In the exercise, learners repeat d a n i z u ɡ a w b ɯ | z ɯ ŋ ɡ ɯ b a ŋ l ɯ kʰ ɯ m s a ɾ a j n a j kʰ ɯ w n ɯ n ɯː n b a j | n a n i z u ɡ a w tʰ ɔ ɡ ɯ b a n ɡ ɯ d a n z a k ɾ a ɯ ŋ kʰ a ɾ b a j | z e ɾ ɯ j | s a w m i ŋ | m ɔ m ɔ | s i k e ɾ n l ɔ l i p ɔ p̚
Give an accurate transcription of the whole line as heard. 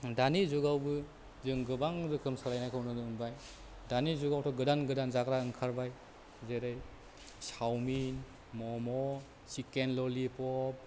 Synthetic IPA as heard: d a n i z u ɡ a w b ɯ | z ɯ ŋ ɡ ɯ b a ŋ ɾ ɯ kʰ ɯ m s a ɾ a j n a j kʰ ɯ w n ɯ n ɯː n b a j | d a n i z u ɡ a w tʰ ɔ ɡ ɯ d a n ɡ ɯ d a n z a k ɾ a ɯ ŋ kʰ a ɾ b a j | z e ɾ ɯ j | s a w m i n | m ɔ m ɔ | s i k e n l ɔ l i p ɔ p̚